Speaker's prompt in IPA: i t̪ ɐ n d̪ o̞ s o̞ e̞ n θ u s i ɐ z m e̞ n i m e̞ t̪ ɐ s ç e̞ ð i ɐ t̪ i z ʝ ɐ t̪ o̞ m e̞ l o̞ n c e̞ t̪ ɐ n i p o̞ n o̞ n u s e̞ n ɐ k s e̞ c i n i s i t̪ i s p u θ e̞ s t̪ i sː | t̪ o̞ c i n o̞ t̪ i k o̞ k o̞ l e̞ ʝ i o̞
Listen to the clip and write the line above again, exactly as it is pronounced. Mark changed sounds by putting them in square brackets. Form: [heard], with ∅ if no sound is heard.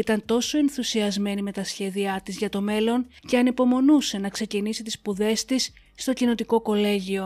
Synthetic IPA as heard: i t̪ ɐ n [t̪] o̞ s o̞ e̞ n θ u s i ɐ z m e̞ n i m e̞ t̪ ɐ s ç e̞ ð i ɐ t̪ i z ʝ ɐ t̪ o̞ m e̞ l o̞ n c e̞ [∅] ɐ n i p o̞ [m] o̞ n u s e̞ n ɐ k s e̞ c i n i s i t̪ i s p u [ð] e̞ s t̪ i sː | t̪ o̞ c i n o̞ t̪ i k o̞ k o̞ l e̞ ʝ i o̞